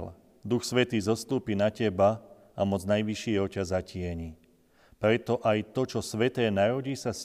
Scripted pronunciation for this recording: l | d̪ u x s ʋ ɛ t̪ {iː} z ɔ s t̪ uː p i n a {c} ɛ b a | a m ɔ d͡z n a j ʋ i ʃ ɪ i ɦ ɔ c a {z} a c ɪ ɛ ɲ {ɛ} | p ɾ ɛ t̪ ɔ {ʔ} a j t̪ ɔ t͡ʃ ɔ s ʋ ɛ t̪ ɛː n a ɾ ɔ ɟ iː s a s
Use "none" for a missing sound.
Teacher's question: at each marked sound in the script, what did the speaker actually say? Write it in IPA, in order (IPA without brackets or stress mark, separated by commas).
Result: iː, c, z, i, ʔ